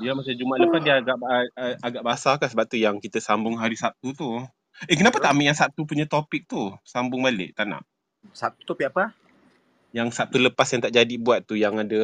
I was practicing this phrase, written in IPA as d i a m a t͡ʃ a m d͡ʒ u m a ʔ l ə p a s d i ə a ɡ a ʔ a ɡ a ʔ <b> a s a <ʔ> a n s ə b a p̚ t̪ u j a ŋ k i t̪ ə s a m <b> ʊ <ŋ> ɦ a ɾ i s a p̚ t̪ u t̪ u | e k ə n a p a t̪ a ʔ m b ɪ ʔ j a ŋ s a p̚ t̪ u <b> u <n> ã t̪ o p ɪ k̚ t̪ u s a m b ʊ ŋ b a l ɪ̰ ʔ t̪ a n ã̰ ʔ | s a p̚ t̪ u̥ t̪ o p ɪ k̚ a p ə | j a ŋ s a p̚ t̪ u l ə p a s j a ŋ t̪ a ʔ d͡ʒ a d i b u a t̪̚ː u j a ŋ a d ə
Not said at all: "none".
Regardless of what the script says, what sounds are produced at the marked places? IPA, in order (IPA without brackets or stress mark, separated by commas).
b, k, b, ŋ, p, ɲ